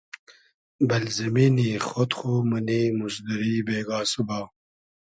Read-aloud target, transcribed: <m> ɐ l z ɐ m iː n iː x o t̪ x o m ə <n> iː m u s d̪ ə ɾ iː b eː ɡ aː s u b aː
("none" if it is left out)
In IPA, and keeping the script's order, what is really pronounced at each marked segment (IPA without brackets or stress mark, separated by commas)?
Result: b, n